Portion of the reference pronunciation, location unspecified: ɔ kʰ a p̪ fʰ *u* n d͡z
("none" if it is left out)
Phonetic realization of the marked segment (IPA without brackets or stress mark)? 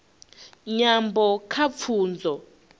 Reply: uː